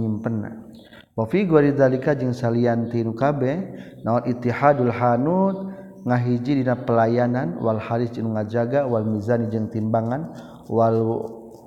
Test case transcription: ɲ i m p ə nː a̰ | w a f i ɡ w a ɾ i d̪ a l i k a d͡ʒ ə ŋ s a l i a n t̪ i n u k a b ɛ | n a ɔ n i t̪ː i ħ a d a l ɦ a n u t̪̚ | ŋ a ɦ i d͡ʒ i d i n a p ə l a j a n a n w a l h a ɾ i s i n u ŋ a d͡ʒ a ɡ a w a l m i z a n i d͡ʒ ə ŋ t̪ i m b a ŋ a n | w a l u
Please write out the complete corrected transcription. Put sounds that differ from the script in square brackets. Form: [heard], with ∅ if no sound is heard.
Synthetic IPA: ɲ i m p ə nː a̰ | w a f i ɡ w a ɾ i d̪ a l i k a d͡ʒ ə ŋ s a l i a n t̪ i n u k a b ɛ | n a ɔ n i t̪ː i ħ a d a l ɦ a n u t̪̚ | ŋ a ɦ i d͡ʒ i d i n a p ə l a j a n a n w a l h a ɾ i s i n u ŋ a d͡ʒ a ɡ a w a l m i z a n i d͡ʒ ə ŋ t̪ i m b a ŋ a n | w a l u